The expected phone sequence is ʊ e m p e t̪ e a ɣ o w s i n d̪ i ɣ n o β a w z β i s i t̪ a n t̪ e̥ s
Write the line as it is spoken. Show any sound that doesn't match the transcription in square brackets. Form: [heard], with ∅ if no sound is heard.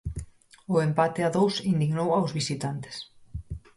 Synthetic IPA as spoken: ʊ e m p [a] t̪ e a [ð] o w s i n d̪ i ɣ n o [w] a w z β i s i t̪ a n t̪ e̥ s